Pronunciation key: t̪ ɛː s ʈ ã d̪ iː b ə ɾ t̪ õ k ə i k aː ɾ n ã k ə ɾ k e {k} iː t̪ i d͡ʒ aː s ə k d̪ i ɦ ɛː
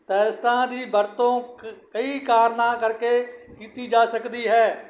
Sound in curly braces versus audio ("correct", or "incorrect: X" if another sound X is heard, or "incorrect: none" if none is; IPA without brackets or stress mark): correct